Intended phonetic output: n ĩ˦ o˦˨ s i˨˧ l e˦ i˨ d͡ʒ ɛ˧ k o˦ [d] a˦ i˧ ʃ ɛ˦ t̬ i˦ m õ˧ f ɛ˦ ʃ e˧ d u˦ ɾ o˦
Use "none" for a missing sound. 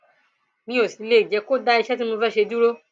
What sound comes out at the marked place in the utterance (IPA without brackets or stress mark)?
d